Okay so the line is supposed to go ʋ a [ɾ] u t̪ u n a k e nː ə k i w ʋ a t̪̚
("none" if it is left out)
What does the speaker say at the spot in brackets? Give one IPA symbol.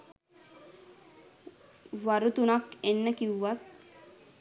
ɾ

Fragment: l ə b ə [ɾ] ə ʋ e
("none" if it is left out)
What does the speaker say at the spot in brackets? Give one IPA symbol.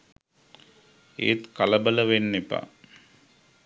l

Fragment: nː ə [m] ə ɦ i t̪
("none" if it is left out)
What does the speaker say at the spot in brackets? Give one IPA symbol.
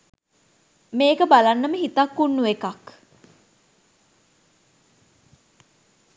m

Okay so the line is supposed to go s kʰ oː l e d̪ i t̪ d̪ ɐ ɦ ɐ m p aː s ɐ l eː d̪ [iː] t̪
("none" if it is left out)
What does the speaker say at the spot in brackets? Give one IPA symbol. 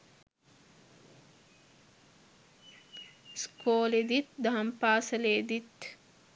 i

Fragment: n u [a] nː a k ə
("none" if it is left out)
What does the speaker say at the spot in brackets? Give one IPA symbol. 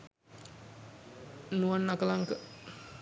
a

